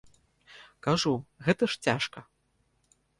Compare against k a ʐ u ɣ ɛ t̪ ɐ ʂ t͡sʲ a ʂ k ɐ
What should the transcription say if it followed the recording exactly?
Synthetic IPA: k a ʐ u ɣ ɛ t̪ ɐ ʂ t͡sʲ a ʂ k ɐ